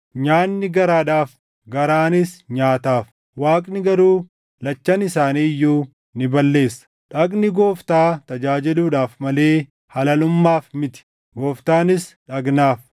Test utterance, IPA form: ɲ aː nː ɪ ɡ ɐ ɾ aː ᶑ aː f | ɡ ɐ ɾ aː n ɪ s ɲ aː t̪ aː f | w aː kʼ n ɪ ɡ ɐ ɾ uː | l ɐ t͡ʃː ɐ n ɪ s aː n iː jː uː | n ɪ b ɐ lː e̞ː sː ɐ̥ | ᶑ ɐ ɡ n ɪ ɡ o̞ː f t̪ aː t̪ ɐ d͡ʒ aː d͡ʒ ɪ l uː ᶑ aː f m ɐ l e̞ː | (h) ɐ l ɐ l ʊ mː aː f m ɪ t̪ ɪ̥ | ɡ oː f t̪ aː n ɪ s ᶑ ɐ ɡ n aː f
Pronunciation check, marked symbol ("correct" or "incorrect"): correct